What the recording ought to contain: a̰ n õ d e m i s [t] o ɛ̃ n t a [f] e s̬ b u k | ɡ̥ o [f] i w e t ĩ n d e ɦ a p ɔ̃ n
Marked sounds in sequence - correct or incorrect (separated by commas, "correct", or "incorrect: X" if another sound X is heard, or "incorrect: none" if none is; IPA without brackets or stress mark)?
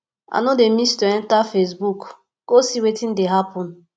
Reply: correct, correct, incorrect: s